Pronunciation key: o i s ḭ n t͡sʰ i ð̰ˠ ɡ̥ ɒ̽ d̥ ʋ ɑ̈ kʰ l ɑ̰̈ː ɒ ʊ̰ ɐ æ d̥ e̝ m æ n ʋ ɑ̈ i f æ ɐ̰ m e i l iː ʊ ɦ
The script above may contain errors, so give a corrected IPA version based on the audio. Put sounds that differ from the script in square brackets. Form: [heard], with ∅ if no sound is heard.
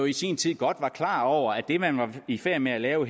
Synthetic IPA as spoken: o i s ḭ n t͡sʰ i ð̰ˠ ɡ̥ ɒ̽ d̥ ʋ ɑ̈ kʰ l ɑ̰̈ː ɒ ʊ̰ ɐ æ d̥ e̝ m æ n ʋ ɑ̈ i f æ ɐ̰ m e [æ] l [ɛː] ʊ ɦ